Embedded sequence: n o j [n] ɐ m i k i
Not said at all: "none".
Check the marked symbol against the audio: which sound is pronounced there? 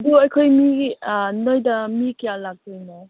d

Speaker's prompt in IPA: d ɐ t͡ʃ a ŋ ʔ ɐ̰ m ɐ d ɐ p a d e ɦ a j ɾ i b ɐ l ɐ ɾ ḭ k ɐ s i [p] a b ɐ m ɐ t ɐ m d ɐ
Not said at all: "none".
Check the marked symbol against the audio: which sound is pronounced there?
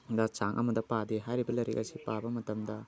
p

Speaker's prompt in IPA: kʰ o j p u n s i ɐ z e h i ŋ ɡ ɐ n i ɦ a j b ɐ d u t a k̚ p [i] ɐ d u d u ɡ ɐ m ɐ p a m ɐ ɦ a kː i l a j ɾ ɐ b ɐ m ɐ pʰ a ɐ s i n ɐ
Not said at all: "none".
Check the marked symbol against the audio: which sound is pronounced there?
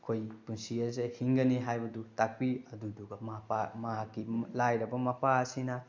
i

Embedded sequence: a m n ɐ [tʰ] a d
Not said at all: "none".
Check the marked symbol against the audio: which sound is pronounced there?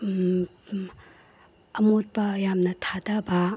tʰ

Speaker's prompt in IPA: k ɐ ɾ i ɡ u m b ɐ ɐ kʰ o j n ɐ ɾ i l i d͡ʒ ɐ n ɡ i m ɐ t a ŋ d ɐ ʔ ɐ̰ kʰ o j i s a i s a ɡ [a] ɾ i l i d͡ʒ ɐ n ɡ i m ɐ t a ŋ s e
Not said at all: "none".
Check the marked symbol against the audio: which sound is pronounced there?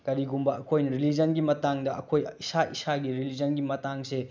i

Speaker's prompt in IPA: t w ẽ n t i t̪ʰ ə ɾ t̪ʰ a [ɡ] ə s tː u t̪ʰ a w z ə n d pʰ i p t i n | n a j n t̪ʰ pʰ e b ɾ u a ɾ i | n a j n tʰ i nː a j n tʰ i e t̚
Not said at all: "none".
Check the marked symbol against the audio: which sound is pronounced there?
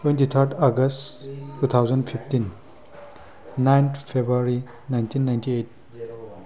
ɡ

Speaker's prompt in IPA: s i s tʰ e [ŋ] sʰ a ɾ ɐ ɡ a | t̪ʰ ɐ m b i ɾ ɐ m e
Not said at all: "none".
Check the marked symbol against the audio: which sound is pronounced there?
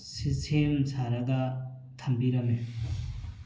m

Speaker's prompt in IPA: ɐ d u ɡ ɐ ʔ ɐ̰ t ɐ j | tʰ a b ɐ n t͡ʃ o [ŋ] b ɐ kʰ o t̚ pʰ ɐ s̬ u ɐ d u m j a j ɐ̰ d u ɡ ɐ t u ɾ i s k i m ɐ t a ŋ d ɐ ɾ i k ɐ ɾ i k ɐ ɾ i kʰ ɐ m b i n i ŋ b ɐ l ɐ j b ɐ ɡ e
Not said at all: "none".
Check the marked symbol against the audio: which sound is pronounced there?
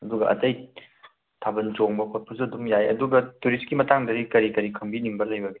ŋ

